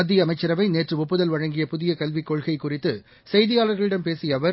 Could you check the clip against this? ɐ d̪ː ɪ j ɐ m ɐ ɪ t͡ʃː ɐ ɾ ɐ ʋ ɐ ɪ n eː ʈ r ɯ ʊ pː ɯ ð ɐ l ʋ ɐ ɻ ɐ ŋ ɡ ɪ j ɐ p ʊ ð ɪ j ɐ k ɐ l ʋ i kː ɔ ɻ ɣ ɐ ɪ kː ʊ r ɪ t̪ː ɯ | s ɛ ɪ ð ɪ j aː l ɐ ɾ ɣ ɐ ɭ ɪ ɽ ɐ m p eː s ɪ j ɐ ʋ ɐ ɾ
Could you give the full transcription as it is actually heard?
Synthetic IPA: ɐ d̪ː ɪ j ɐ m ɐ ɪ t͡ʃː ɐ ɾ ɐ ʋ ɐ ɪ n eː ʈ r ɯ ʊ pː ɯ ð ɐ l ʋ ɐ ɻ ɐ ŋ ɡ ɪ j ɐ p ʊ ð ɪ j ɐ k ɐ l ʋ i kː ɔ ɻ ɣ ɐ ɪ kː ʊ r ɪ t̪ː ɯ | s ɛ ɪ ð ɪ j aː l ɐ ɾ ɣ ɐ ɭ ɪ ɽ ɐ m p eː s ɪ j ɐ ʋ ɐ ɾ